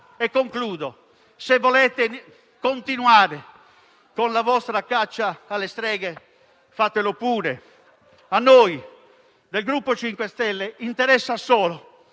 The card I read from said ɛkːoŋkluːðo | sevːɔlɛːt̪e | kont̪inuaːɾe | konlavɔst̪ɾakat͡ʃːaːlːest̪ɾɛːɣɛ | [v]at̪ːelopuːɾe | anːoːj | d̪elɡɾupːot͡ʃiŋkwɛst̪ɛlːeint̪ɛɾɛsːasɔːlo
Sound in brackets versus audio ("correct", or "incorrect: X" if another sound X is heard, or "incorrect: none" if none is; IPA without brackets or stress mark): incorrect: f